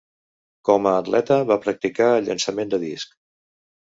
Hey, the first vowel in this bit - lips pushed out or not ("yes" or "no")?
yes